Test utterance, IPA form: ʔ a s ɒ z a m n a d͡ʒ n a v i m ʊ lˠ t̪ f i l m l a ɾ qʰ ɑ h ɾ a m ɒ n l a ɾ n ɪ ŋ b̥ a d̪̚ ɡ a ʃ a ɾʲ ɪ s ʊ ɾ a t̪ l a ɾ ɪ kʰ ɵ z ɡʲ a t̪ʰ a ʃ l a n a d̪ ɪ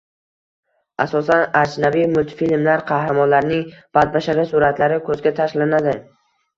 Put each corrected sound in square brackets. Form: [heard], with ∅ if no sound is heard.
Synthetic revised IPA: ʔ a s ɒ [s] a [∅] n a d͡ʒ n a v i m ʊ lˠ t̪ f i l m l a ɾ qʰ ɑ h ɾ a m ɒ n l a ɾ n ɪ ŋ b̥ a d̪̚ [b] a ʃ a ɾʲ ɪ s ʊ ɾ a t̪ l a ɾ ɪ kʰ ɵ z ɡʲ a t̪ʰ a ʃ l a n a d̪ ɪ